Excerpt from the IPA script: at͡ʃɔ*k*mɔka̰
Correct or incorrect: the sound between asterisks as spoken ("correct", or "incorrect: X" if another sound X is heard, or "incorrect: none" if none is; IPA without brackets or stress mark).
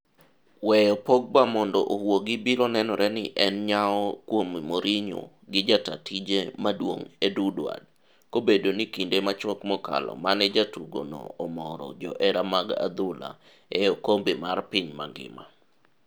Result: correct